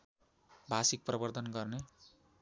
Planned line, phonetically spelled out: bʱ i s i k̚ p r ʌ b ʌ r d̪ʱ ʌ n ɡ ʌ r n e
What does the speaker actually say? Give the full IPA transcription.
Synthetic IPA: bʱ a s i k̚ p r ʌ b ʌ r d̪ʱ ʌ n ɡ ʌ r n e